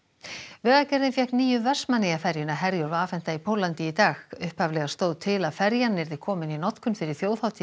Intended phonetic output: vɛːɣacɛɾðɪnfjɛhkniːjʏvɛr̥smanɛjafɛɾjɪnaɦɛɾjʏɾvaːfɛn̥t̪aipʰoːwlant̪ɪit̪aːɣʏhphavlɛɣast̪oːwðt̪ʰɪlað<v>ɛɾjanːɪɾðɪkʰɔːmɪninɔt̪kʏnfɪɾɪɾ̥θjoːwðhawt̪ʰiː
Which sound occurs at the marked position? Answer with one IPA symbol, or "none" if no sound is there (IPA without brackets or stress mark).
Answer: f